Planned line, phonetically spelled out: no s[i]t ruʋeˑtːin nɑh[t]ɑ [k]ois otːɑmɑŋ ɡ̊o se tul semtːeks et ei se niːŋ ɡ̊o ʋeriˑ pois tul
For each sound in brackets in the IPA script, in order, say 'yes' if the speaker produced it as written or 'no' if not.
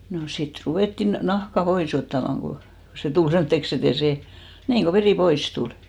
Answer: yes, no, no

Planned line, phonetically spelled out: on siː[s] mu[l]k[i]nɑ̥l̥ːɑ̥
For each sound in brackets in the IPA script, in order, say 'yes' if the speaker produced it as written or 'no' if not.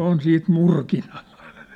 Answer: no, no, yes

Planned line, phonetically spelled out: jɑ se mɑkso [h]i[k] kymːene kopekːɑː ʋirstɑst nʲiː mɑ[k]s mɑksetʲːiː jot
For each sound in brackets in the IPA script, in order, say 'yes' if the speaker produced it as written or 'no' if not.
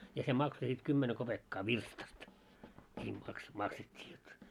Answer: no, no, yes

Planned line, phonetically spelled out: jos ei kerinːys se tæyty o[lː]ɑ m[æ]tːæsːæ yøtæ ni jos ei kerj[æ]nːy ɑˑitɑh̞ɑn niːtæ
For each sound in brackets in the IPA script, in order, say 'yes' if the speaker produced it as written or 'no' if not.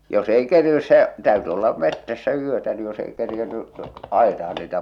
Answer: yes, no, no

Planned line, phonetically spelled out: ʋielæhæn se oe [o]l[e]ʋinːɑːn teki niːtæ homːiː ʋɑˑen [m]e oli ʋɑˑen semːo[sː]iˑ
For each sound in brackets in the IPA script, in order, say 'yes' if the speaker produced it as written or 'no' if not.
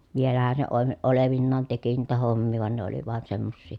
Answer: yes, yes, no, yes

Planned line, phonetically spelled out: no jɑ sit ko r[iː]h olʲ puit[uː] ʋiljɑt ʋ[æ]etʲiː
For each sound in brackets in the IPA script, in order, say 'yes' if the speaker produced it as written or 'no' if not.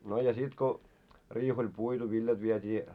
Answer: yes, no, no

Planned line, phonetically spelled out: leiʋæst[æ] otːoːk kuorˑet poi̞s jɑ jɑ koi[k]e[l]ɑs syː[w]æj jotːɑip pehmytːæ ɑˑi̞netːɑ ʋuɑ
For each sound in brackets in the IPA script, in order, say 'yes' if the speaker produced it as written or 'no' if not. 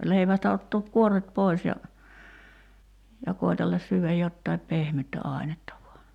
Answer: yes, no, no, no

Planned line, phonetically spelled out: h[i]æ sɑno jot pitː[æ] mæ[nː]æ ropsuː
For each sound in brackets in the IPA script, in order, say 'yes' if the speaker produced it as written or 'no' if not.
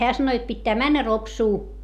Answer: no, no, yes

